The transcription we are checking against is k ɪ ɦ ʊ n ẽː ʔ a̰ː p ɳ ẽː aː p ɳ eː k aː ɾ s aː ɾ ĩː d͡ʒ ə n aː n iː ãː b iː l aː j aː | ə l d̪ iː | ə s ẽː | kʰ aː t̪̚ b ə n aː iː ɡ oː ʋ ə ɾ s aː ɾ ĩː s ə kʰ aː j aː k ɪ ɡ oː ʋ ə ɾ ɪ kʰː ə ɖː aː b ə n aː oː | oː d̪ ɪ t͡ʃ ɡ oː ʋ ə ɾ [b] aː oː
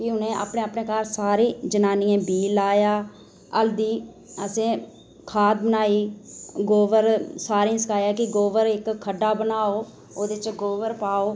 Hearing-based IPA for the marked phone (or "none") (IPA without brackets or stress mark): p